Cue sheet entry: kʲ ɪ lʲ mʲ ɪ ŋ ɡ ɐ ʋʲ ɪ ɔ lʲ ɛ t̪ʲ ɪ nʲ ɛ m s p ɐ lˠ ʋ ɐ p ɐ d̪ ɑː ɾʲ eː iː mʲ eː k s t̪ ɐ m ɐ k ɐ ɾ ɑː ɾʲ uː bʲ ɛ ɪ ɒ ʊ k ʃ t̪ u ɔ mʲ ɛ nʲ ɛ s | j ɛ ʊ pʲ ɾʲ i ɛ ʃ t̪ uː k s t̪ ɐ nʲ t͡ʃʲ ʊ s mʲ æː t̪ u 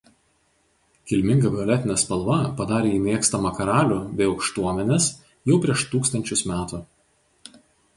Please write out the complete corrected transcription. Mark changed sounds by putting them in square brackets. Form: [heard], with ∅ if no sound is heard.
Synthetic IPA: kʲ ɪ lʲ mʲ ɪ ŋ ɡ ɐ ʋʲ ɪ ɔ lʲ ɛ t̪ʲ ɪ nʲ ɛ [∅] s p ɐ lˠ ʋ ɐ p ɐ d̪ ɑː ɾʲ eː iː mʲ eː k s t̪ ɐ m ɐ k ɐ ɾ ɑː [lʲ] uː bʲ ɛ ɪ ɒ ʊ k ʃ t̪ u ɔ mʲ ɛ nʲ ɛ s | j ɛ ʊ pʲ ɾʲ i ɛ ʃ t̪ uː k s t̪ ɐ nʲ t͡ʃʲ ʊ s mʲ æː t̪ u